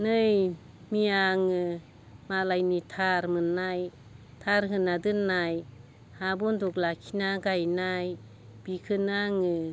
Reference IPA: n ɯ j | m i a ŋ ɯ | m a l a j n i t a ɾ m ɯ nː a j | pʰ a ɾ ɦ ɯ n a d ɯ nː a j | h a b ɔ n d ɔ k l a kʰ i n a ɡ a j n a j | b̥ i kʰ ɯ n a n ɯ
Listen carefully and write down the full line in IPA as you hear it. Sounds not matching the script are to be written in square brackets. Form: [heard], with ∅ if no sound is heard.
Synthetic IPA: n ɯ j | m i a ŋ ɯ | m a l a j n i [tʰ] a ɾ m ɯ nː a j | [tʰ] a ɾ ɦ ɯ n a d ɯ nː a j | h a b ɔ n d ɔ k l a kʰ i n a ɡ a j n a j | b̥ i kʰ ɯ n a [ŋ] ɯ